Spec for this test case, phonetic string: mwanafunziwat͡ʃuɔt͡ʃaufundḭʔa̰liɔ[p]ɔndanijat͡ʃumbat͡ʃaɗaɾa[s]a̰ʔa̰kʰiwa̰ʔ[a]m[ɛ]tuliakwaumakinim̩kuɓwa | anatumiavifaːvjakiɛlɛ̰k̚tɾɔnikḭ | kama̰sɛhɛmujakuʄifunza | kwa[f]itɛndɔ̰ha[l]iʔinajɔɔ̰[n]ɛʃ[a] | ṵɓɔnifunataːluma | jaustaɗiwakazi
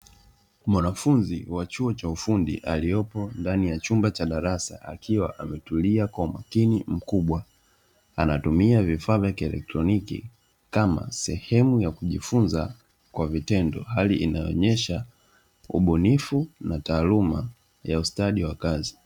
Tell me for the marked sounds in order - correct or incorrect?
correct, correct, correct, correct, incorrect, correct, incorrect, correct

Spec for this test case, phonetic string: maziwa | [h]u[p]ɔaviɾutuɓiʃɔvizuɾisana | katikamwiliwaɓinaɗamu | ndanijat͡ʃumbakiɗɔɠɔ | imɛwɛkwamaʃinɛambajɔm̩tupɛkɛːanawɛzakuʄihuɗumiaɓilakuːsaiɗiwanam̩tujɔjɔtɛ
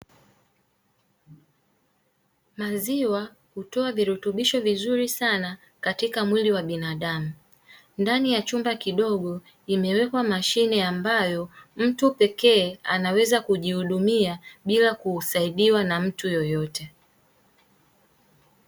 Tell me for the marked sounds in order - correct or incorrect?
correct, incorrect

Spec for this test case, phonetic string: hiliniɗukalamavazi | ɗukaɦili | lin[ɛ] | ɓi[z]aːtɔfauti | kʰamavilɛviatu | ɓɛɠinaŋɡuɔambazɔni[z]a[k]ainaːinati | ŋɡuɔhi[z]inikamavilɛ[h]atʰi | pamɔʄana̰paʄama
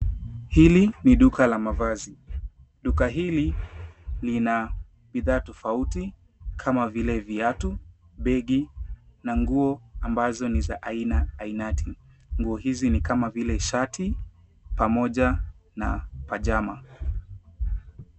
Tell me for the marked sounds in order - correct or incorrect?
incorrect, incorrect, correct, incorrect, correct, incorrect

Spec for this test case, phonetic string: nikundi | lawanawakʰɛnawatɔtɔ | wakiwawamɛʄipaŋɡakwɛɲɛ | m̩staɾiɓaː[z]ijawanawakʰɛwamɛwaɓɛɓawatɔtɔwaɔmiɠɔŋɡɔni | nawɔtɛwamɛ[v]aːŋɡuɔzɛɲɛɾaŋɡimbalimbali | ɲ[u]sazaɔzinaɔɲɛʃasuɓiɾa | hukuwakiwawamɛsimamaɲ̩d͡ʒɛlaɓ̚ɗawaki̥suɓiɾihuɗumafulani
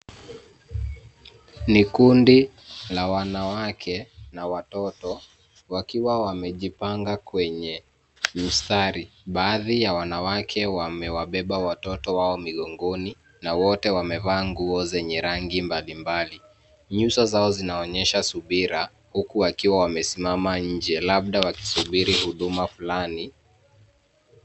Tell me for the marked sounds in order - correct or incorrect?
incorrect, correct, correct

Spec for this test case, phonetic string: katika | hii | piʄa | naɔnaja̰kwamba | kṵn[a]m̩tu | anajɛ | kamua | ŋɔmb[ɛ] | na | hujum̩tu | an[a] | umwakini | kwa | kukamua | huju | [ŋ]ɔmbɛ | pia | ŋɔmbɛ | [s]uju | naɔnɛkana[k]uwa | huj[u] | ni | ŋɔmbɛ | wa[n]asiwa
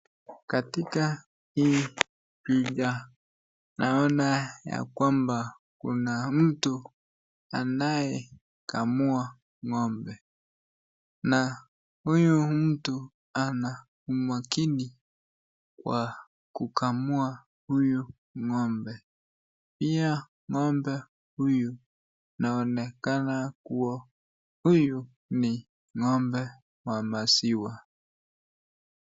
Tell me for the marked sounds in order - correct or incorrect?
correct, correct, correct, correct, incorrect, correct, correct, incorrect

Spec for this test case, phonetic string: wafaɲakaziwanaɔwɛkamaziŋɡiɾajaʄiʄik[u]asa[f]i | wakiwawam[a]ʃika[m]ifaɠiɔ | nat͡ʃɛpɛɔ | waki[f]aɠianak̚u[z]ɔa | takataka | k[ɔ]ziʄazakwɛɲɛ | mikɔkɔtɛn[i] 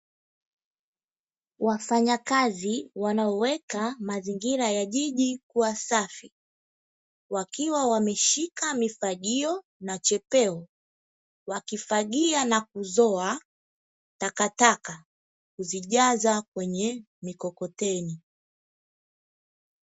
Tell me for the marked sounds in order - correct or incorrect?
correct, correct, incorrect, correct, correct, correct, incorrect, correct

